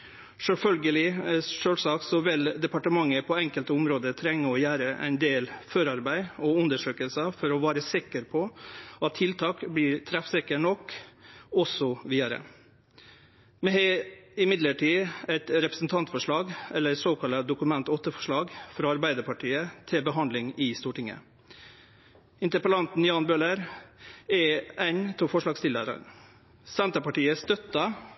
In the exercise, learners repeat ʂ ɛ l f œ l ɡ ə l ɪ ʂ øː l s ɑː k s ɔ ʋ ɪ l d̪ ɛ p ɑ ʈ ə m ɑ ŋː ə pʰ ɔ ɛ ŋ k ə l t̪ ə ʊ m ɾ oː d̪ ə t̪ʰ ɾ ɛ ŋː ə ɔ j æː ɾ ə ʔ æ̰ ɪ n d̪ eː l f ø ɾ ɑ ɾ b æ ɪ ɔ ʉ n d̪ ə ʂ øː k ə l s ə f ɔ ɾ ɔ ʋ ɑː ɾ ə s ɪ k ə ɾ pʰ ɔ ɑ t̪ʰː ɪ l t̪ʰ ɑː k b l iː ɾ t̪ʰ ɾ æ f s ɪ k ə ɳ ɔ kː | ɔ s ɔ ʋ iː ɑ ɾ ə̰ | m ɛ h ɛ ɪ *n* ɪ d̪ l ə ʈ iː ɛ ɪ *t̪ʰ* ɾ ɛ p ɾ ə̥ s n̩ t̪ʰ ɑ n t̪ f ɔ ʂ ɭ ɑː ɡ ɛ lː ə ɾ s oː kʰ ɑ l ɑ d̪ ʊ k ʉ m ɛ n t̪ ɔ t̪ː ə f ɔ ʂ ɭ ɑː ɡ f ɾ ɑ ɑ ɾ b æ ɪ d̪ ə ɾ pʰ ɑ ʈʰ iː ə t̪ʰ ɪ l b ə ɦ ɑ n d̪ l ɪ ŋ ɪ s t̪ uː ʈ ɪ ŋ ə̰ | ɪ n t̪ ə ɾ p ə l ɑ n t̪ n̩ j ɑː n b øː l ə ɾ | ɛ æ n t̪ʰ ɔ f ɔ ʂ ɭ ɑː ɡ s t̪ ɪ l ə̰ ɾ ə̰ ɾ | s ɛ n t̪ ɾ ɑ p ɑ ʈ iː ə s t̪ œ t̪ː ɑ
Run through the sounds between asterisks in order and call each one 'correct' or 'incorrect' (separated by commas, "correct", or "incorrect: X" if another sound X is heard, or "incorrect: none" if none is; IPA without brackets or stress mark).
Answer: incorrect: m, incorrect: t̪